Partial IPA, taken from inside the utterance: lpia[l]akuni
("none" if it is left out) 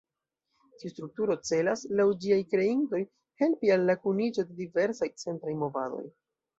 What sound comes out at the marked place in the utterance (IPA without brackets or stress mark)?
lː